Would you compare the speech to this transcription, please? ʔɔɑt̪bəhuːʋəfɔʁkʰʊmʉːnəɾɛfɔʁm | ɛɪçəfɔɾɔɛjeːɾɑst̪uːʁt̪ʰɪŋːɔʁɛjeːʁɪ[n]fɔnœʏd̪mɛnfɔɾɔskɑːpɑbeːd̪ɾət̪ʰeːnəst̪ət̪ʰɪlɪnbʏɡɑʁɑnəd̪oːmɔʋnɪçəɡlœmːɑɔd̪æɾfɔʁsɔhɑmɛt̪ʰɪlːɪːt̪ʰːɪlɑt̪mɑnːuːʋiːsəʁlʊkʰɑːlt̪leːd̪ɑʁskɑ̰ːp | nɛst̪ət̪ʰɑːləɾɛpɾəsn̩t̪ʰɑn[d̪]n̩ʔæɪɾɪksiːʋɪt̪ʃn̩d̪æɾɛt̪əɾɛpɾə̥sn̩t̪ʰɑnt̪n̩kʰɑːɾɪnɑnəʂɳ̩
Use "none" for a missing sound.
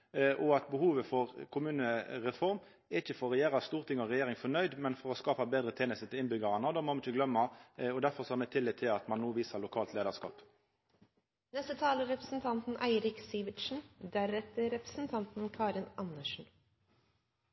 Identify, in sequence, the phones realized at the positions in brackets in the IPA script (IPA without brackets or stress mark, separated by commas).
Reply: ŋ, t̪